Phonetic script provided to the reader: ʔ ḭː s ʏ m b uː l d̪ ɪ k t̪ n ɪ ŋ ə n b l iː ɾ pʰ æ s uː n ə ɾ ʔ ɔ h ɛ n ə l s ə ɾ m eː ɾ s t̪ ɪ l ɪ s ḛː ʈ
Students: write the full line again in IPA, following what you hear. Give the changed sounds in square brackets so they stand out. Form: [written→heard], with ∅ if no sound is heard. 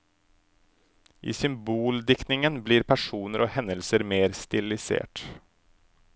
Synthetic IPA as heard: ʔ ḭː s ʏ m b uː l d̪ ɪ k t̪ n ɪ ŋ ə n b l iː ɾ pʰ æ [s→ʂ] uː n ə ɾ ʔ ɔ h ɛ n ə l s ə ɾ m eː ɾ s t̪ ɪ l ɪ s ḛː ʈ

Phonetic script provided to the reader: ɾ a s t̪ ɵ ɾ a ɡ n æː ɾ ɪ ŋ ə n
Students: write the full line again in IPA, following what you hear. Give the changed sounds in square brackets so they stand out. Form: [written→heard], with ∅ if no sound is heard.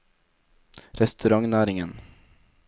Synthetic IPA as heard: ɾ [a→ɛ] s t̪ ɵ ɾ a [ɡ→ŋ] n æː ɾ ɪ ŋ ə n

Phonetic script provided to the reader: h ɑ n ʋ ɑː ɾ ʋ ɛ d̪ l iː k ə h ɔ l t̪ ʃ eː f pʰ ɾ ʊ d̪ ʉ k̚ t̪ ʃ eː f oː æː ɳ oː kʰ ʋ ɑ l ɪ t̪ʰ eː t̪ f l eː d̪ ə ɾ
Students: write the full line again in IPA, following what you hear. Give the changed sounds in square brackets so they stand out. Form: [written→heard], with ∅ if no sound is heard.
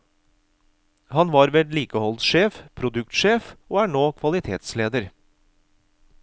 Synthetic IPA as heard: h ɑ n ʋ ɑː ɾ ʋ ɛ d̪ l iː k ə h ɔ l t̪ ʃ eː f pʰ ɾ ʊ d̪ ʉ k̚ t̪ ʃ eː f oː æː ɳ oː kʰ ʋ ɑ l ɪ t̪ʰ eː t̪ [f→s] l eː d̪ ə ɾ

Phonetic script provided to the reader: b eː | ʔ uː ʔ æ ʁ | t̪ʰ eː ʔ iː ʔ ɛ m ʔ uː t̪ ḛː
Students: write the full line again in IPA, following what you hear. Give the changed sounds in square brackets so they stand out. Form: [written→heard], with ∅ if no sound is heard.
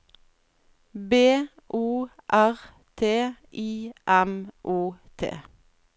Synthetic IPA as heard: b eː | ʔ uː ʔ æ ʁ | t̪ʰ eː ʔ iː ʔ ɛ m ʔ uː [t̪→t̪ʰ] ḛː

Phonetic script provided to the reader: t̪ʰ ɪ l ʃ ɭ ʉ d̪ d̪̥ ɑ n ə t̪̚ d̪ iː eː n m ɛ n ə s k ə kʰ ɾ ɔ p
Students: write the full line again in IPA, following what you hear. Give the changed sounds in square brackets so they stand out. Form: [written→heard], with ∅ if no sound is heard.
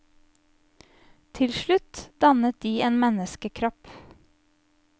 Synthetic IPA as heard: t̪ʰ ɪ l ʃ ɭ ʉ [d̪→t̪] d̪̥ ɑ n ə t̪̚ d̪ iː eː n m ɛ n ə s k ə kʰ ɾ ɔ p

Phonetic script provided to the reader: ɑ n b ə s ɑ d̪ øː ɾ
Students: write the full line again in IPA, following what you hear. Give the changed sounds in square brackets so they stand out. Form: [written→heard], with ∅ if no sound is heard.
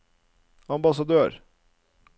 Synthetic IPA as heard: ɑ [n→m] b [ə→ɑ] s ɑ d̪ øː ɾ

